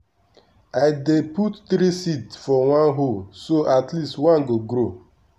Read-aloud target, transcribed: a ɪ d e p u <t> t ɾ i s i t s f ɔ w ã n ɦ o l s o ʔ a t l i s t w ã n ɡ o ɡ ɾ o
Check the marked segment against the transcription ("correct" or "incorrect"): correct